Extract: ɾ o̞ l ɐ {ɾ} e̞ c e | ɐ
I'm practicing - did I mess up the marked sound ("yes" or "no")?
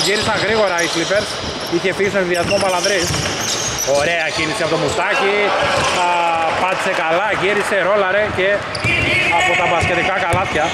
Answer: no